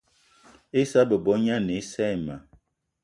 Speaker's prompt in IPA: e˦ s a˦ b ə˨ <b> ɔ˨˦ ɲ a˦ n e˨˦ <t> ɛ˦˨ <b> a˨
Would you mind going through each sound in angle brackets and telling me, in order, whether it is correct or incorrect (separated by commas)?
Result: correct, incorrect, incorrect